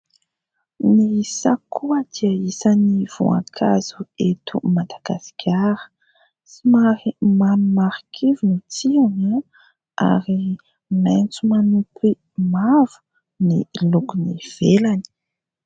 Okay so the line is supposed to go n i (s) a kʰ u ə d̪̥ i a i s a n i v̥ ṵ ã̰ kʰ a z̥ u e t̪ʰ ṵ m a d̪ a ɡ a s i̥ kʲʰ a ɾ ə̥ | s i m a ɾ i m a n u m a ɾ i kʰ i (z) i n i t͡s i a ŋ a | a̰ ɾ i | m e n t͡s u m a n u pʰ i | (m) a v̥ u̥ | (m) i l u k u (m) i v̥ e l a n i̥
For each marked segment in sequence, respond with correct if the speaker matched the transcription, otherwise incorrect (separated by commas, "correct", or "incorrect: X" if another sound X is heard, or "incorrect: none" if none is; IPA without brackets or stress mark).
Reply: correct, incorrect: v, correct, incorrect: n, incorrect: n